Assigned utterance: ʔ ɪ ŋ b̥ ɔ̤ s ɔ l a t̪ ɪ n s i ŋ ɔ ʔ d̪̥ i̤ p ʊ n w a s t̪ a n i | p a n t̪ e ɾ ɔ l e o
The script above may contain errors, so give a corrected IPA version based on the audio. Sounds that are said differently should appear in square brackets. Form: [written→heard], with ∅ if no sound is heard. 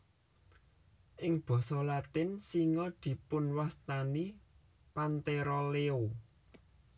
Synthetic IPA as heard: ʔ ɪ ŋ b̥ ɔ̤ s ɔ l a t̪ ɪ n s i ŋ ɔ [ʔ→∅] d̪̥ i̤ p ʊ n w a s t̪ a n i | p a n t̪ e ɾ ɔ l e o